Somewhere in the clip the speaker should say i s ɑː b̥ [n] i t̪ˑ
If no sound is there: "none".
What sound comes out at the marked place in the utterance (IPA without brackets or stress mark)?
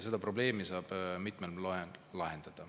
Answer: m